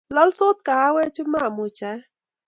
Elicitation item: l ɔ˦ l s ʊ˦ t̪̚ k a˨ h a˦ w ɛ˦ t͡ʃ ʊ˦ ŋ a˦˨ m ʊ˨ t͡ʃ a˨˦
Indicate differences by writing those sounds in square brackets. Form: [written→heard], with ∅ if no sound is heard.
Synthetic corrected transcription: l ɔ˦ l s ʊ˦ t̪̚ k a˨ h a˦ w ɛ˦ t͡ʃ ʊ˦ [ŋ→m] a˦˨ m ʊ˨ t͡ʃ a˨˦